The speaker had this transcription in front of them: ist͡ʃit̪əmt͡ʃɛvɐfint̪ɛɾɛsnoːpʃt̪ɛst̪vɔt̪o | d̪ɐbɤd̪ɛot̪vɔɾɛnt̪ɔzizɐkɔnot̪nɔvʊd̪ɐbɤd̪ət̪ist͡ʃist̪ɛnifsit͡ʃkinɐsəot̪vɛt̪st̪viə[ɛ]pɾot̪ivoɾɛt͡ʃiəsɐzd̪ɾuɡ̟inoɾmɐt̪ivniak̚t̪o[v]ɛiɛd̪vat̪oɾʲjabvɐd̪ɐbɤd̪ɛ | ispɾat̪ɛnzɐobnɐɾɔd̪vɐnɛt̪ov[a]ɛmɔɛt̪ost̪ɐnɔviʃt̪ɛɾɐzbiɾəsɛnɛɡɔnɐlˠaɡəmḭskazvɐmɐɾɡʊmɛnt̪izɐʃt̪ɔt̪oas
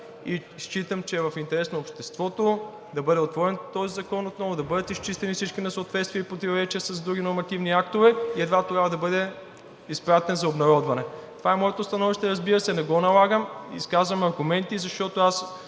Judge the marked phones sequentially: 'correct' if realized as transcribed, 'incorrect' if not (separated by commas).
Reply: incorrect, correct, correct